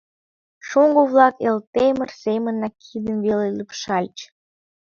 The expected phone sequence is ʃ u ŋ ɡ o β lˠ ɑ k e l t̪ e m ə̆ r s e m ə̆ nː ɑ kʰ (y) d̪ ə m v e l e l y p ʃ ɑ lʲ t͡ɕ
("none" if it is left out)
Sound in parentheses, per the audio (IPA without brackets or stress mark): i